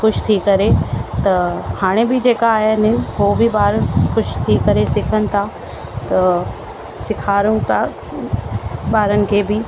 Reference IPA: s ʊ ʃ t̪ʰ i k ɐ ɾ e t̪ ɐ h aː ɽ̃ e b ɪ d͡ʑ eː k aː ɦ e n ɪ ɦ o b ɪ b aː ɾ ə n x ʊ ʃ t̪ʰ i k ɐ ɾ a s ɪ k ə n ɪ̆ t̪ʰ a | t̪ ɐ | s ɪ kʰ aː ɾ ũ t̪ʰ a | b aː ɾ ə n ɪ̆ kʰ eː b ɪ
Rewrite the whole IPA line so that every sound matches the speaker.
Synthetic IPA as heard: x ʊ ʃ t̪ʰ i k ɐ ɾ e t̪ ɐ h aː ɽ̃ e b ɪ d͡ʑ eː k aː ɦ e n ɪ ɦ o b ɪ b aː ɾ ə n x ʊ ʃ t̪ʰ i k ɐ ɾ e s ɪ kʰ ə n ɪ̆ t̪ʰ a | t̪ ɐ | s ɪ kʰ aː ɾ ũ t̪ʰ a | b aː ɾ ə n ɪ̆ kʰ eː b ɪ